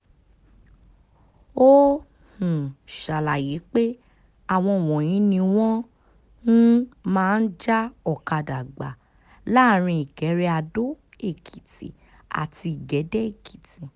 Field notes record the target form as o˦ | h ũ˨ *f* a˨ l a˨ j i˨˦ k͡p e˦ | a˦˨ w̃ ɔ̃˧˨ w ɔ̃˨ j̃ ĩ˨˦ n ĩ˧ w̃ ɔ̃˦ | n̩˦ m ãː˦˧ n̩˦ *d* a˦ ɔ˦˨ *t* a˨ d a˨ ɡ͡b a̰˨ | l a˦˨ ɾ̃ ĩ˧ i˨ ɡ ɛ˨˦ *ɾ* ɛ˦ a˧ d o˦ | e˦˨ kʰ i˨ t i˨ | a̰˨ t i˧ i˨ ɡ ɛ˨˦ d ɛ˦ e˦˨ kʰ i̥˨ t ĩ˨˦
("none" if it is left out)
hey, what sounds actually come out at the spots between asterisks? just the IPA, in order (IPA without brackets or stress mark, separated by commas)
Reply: ʃ, d͡ʒ, k, ɾ